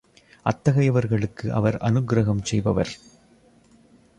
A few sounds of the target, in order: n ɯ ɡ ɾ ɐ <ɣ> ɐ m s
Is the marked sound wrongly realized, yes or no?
no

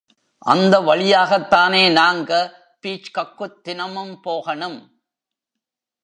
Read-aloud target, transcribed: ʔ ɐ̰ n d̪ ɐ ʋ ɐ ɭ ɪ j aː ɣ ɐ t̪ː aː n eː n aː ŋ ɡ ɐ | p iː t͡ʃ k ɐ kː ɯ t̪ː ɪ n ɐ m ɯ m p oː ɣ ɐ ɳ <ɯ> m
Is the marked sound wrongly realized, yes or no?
no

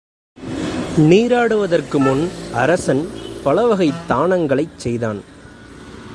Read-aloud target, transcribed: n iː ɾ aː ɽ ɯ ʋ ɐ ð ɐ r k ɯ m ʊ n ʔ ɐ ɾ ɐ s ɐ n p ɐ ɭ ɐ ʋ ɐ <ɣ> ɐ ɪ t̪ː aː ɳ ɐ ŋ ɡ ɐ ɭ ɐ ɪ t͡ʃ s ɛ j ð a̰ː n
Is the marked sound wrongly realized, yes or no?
no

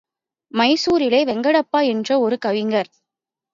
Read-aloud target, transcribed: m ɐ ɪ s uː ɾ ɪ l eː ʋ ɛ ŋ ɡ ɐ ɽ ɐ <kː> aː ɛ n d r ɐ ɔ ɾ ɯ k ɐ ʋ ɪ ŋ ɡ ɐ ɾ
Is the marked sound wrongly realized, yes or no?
yes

